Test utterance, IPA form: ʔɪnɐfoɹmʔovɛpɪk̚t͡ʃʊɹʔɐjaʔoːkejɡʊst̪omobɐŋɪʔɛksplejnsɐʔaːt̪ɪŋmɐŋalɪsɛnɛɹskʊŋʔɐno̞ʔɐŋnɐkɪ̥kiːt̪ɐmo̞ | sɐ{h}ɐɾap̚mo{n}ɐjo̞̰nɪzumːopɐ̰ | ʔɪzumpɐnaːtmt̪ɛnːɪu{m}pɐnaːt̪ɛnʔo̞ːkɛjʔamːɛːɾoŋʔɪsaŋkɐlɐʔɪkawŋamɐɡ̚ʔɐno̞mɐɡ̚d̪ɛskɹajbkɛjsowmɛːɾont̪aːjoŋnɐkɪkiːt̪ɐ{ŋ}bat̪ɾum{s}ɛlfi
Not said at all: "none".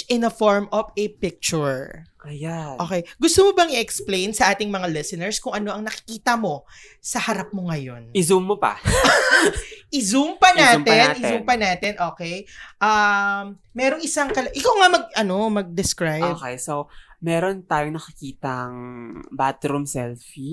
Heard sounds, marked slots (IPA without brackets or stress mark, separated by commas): h, ŋ, m, ŋ, s